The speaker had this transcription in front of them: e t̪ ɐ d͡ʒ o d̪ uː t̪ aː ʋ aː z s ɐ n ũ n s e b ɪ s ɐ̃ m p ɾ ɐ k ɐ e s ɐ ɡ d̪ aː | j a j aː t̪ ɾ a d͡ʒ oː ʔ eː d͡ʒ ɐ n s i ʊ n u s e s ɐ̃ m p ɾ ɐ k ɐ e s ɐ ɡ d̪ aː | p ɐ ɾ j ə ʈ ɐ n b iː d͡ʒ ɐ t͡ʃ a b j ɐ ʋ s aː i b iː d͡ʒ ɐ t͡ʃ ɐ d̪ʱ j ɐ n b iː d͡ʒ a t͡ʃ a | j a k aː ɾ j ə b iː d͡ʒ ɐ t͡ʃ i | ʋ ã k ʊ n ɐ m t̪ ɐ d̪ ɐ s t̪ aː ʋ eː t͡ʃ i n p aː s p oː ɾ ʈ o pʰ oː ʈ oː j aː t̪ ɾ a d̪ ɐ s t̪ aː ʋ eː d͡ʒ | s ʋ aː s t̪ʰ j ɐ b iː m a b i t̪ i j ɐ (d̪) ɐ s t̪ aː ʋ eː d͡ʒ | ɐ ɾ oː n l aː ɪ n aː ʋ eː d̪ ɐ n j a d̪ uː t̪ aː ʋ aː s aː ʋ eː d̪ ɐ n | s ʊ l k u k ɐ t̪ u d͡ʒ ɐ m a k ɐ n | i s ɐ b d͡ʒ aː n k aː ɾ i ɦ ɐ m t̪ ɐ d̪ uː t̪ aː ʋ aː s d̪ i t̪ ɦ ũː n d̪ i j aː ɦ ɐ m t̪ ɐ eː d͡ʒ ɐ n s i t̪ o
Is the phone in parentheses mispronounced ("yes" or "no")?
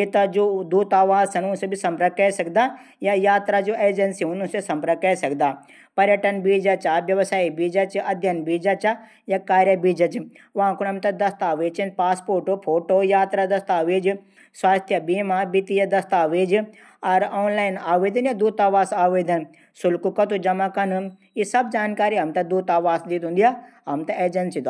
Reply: no